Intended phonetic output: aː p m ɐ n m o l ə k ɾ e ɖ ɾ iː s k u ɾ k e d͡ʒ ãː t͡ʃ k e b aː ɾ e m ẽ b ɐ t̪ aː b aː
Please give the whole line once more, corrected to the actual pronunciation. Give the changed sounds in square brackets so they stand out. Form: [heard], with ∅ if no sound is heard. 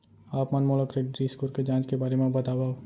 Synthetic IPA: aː p m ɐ n m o l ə k ɾ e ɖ ɾ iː s k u ɾ k e d͡ʒ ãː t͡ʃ k e b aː ɾ e m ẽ b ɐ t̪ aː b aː